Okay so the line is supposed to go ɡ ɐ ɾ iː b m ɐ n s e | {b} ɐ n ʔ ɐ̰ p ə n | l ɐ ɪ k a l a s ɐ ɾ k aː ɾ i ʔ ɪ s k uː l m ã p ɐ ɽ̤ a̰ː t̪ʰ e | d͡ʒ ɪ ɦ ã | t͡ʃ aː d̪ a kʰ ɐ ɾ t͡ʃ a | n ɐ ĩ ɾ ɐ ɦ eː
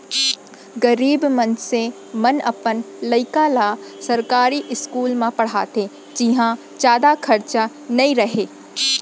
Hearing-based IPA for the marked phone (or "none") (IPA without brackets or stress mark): m